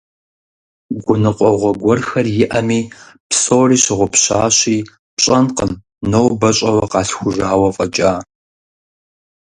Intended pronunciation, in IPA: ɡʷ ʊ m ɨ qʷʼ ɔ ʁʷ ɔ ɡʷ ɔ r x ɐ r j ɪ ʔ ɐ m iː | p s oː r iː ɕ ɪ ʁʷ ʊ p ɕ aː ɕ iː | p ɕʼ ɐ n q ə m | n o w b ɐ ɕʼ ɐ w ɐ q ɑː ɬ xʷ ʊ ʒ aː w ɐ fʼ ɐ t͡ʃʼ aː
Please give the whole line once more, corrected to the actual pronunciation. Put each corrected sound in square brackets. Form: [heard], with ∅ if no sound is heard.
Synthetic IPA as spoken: ɡʷ ʊ [n] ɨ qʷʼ ɔ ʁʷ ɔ ɡʷ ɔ r x ɐ r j ɪ ʔ ɐ m iː | p s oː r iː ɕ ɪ ʁʷ ʊ p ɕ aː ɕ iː | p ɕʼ ɐ n q ə m | n o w b ɐ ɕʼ ɐ w ɐ q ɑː ɬ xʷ ʊ ʒ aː w ɐ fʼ ɐ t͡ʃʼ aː